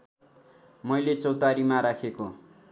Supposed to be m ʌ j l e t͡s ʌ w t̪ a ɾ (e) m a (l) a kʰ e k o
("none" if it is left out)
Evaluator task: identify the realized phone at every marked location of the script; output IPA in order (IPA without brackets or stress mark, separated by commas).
i, ɾ